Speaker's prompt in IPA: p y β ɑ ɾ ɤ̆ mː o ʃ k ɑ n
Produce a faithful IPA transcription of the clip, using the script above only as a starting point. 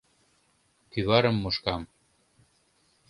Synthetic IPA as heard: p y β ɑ ɾ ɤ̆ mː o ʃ k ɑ m